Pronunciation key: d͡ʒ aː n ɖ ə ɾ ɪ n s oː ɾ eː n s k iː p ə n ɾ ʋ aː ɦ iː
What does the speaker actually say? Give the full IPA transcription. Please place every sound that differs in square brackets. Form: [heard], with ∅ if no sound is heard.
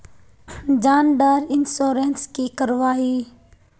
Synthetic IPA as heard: d͡ʒ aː n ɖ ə ɾ ɪ n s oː ɾ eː n s k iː [k] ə [∅] ɾ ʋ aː ɦ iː